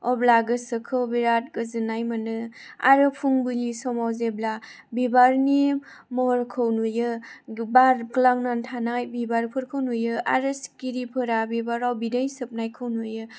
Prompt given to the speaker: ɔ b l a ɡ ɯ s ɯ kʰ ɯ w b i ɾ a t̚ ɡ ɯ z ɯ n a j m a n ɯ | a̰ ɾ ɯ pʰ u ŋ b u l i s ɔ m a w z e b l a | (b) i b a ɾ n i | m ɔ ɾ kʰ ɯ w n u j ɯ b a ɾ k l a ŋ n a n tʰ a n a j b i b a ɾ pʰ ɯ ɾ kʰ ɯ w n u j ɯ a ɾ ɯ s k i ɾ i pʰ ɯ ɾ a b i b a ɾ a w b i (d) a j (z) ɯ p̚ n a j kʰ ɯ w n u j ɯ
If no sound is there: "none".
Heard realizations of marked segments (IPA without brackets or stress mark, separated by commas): b, d, s